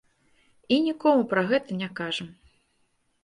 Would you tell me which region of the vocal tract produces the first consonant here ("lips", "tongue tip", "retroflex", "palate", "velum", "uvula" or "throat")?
tongue tip